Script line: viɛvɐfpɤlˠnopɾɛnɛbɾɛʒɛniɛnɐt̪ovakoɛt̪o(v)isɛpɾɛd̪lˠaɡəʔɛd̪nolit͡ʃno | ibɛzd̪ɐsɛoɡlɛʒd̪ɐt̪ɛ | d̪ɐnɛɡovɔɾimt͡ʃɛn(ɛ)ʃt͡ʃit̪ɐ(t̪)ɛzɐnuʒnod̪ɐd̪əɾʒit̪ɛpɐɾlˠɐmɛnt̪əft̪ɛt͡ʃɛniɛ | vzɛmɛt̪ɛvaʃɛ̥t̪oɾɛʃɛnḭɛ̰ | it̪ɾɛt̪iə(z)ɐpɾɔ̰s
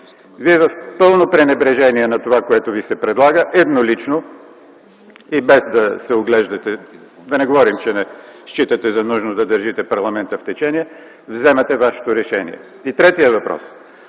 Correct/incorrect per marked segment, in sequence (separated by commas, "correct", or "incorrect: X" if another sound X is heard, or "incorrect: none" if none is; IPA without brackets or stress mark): correct, correct, correct, incorrect: v